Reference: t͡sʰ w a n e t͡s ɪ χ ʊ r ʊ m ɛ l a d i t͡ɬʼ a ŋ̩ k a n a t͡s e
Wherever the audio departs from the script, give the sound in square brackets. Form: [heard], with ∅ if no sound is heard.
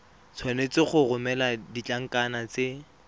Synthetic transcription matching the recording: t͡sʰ w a n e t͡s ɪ χ ʊ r ʊ m ɛ l a d i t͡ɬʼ a ŋ̩ k a n a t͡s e